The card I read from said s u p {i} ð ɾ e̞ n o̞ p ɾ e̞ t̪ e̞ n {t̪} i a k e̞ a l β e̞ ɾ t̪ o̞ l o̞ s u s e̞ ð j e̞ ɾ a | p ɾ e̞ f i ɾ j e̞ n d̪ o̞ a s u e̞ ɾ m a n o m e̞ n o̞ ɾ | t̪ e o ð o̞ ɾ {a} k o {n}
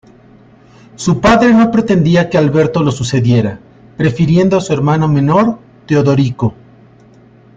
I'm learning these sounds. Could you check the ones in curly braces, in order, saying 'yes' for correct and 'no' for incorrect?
no, no, no, no

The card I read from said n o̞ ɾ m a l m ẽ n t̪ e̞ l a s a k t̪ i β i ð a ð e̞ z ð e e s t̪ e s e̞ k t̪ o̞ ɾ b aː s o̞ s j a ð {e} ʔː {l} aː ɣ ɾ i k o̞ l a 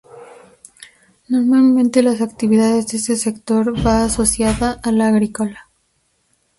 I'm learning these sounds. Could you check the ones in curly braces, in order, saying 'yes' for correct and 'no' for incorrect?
no, yes

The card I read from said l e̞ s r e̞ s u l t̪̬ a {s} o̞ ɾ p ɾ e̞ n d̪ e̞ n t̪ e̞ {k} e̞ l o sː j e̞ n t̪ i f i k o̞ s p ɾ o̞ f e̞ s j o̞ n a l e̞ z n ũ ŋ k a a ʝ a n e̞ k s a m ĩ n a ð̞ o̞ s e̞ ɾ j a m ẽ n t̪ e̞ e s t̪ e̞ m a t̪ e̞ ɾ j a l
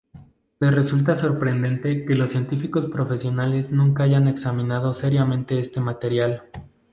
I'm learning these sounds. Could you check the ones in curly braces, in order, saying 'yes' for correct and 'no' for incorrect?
yes, yes

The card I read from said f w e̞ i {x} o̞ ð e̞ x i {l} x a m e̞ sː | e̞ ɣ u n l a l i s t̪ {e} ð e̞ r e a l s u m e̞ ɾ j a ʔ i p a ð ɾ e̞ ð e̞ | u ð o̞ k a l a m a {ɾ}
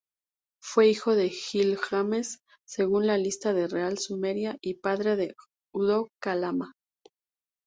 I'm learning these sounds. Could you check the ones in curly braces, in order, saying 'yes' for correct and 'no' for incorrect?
yes, yes, no, no

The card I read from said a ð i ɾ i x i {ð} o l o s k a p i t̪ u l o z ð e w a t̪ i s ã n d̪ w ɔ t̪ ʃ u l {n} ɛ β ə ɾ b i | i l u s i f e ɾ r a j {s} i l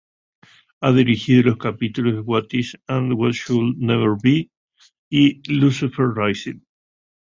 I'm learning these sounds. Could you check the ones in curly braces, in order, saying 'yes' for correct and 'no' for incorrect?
yes, yes, yes

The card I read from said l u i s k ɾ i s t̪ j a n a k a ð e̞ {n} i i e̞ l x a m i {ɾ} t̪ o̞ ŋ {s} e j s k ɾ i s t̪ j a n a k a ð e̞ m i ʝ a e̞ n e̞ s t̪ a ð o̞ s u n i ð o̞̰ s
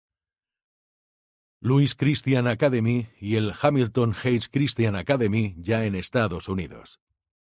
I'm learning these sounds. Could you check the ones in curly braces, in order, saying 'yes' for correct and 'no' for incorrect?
no, no, no

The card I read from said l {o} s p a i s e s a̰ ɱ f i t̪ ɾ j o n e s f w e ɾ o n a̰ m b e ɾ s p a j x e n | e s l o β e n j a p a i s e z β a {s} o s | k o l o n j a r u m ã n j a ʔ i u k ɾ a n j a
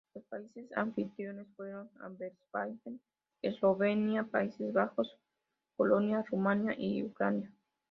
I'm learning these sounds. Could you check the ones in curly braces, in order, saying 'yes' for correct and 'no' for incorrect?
yes, no

